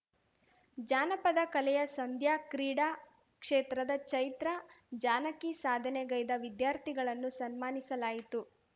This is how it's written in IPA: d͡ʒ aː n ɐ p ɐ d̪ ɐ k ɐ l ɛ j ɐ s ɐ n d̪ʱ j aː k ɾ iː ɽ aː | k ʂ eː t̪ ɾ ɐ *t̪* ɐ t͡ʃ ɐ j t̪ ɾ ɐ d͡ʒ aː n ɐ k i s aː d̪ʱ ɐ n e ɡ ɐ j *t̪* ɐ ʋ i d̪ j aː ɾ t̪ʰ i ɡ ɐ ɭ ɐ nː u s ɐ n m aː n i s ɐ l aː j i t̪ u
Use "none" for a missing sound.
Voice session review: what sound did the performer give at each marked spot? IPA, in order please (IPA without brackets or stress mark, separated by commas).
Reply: d̪, d̪